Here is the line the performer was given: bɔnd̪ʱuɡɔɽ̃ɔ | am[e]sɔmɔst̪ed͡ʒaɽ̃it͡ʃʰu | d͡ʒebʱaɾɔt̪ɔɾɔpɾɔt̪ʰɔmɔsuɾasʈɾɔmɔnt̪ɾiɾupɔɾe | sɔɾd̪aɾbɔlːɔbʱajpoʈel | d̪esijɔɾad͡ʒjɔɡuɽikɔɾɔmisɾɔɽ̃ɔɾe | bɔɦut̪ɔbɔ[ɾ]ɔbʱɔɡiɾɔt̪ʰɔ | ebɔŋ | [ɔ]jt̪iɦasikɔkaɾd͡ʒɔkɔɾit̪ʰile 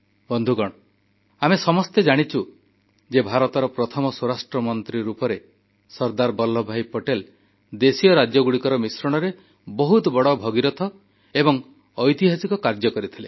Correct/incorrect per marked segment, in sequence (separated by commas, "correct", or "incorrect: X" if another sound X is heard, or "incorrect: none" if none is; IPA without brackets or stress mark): correct, incorrect: ɽ, correct